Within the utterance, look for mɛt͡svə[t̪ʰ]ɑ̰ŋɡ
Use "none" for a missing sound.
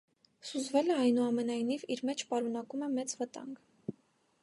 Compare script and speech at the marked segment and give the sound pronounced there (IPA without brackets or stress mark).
t̪